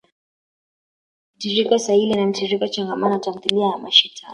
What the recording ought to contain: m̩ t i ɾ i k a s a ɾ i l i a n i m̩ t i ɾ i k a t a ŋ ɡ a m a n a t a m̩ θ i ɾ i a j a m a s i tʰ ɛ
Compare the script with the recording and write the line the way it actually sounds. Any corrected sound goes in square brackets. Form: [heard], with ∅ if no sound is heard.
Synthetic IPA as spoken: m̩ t i ɾ i k a s a [∅] i l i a n [a] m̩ t i ɾ i k a [t͡ʃ] a ŋ ɡ a m a n a t a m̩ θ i [l] i a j a m a [ʃ] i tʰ [a]